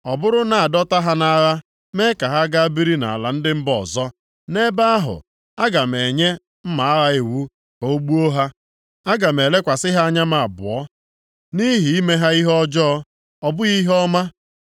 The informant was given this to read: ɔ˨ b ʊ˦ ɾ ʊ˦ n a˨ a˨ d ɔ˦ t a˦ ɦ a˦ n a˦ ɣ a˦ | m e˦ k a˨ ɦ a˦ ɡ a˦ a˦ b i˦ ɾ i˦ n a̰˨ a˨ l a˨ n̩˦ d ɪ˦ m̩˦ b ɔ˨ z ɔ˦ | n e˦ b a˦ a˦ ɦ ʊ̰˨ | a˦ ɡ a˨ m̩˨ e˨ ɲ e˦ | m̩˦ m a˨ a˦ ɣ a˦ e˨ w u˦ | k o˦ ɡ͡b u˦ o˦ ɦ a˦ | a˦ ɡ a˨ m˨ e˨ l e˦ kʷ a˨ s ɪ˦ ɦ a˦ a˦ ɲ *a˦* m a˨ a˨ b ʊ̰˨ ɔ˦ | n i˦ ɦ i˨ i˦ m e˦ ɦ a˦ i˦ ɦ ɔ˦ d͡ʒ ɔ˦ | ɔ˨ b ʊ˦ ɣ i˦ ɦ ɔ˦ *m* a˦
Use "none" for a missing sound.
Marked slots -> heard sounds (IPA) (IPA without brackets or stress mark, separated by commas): a˦, m